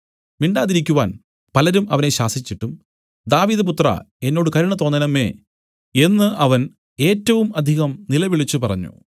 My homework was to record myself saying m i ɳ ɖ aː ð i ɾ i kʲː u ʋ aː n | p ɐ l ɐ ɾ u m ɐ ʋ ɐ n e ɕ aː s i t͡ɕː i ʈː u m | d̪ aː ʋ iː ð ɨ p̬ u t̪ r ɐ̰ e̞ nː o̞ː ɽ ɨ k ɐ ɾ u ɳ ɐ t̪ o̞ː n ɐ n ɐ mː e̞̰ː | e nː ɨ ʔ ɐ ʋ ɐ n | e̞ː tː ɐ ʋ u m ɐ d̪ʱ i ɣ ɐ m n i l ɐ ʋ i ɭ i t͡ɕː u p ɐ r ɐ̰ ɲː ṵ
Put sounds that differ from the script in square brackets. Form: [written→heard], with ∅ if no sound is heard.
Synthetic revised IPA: m i ɳ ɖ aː ð i ɾ i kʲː u ʋ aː n | p ɐ l ɐ ɾ u m ɐ ʋ ɐ n e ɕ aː s i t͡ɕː i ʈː u m | d̪ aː ʋ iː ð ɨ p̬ u t̪ r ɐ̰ e̞ nː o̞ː ɽ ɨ k ɐ ɾ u ɳ ɐ t̪ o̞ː n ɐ n ɐ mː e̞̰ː | e nː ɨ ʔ ɐ ʋ ɐ n | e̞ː tː ɐ ʋ u m ɐ d̪ʱ i ɣ ɐ m n i l ɐ ʋ i ɭ i t͡ɕː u p ɐ r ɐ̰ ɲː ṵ